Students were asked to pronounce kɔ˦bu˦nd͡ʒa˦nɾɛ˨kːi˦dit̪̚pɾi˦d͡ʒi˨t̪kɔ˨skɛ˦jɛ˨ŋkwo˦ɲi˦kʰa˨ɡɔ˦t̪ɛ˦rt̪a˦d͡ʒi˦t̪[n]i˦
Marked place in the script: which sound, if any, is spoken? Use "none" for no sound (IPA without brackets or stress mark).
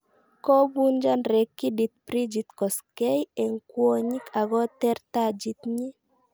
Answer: ɲ